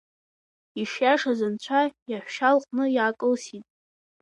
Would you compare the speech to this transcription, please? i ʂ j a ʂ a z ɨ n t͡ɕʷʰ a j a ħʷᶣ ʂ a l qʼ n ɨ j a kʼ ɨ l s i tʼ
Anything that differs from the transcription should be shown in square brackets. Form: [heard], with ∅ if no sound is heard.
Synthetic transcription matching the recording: i ʂ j a ʂ a z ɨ n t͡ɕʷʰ a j a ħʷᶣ [ʃ] a l qʼ n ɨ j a kʼ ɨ l s i tʼ